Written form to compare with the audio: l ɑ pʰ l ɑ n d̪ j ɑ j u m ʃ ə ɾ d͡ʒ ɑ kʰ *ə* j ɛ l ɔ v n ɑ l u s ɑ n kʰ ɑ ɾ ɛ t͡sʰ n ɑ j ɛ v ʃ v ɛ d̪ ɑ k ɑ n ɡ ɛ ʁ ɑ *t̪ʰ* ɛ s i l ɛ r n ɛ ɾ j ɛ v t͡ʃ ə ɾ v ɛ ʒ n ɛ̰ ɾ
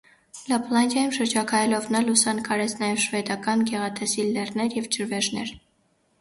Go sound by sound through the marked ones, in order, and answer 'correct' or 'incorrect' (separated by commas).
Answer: incorrect, correct